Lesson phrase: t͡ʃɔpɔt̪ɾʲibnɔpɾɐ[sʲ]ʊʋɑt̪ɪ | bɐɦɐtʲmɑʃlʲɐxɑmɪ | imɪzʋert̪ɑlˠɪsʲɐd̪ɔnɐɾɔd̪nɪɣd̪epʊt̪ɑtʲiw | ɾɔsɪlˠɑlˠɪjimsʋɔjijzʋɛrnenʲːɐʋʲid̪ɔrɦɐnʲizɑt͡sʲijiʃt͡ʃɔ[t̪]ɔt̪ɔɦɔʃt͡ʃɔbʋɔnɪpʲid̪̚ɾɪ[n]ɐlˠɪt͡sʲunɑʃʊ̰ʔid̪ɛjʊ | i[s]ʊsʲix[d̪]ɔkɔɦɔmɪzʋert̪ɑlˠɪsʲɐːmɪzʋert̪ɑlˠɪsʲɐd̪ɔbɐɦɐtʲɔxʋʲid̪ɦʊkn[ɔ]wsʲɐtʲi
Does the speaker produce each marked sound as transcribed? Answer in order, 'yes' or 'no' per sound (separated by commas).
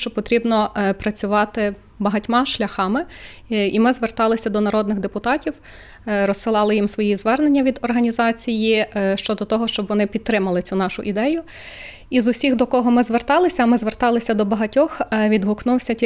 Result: no, no, no, no, yes, no